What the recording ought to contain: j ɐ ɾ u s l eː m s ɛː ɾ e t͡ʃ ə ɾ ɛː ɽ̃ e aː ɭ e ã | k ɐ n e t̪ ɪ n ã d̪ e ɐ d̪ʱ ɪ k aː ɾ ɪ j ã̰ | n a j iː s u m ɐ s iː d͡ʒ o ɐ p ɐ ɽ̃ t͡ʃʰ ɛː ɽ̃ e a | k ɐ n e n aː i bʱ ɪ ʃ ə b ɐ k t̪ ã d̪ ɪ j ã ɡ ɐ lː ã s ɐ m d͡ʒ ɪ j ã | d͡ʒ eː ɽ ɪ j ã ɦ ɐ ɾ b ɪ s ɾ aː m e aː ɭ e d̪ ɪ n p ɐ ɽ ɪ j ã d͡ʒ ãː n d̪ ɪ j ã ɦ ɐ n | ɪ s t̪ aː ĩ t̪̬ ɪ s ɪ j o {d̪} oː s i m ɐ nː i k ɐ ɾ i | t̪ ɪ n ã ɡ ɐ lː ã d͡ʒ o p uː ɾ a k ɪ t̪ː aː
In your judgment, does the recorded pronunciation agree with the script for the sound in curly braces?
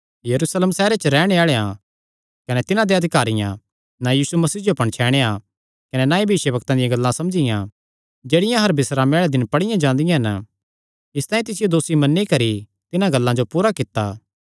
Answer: yes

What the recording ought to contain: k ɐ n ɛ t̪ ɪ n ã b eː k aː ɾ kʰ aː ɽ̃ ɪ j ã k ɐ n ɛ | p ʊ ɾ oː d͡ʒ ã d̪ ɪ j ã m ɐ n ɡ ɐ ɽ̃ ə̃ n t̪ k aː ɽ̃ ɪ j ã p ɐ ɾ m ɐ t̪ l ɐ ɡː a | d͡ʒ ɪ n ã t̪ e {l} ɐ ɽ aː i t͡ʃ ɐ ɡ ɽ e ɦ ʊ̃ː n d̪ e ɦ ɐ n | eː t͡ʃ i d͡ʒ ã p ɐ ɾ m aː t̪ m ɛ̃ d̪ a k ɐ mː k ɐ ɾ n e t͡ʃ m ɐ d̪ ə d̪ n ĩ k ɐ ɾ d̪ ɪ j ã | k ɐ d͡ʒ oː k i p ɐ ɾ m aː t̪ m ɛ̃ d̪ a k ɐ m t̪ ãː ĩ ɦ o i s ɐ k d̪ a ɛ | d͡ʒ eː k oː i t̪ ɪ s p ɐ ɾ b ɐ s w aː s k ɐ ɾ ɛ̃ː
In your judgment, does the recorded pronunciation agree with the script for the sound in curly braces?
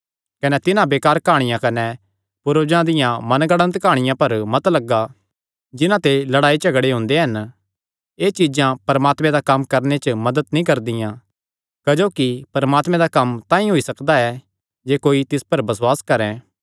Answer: yes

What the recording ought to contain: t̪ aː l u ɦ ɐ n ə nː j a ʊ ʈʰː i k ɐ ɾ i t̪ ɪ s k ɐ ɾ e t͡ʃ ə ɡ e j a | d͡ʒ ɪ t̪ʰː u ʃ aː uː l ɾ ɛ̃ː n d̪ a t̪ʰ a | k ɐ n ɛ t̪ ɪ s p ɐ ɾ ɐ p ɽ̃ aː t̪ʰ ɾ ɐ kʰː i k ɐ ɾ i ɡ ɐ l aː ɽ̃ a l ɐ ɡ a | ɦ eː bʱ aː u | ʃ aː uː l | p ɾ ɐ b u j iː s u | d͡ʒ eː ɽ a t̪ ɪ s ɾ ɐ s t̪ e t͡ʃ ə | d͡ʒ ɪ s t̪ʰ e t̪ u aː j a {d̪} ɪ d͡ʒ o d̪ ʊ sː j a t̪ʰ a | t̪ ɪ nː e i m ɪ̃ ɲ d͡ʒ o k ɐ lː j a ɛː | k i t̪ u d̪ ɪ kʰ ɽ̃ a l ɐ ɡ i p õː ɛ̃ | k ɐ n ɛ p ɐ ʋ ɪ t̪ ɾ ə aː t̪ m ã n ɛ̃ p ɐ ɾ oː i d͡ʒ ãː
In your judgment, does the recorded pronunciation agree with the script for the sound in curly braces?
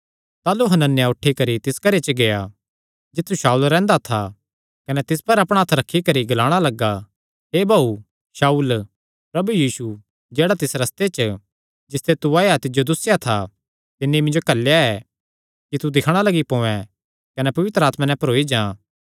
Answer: no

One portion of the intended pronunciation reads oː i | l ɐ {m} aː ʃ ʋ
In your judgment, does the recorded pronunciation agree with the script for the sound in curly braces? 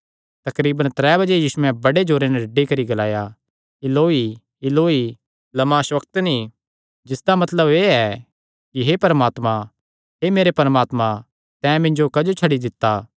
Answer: yes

